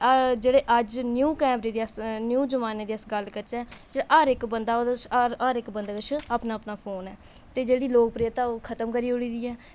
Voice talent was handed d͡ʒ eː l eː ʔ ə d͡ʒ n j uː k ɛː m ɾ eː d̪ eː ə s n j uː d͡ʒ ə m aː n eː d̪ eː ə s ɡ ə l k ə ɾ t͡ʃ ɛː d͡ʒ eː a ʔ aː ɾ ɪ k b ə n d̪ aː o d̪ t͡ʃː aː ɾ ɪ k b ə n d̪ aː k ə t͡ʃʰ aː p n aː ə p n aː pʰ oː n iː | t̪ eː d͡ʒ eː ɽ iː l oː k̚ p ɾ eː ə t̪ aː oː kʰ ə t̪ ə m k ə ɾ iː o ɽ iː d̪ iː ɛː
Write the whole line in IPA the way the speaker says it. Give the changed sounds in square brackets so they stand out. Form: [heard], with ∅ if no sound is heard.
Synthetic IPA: d͡ʒ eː [ɽ] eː ʔ ə d͡ʒ n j uː k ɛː m ɾ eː d̪ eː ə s n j uː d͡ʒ ə m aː n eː d̪ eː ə s ɡ ə l k ə ɾ t͡ʃ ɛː d͡ʒ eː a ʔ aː ɾ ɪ k b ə n d̪ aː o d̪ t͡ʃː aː ɾ ɪ k b ə n d̪ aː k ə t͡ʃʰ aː p n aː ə p n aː pʰ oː n [ɛː] | t̪ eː d͡ʒ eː ɽ iː l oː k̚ p ɾ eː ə t̪ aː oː kʰ ə t̪ ə m k ə ɾ iː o ɽ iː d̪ iː ɛː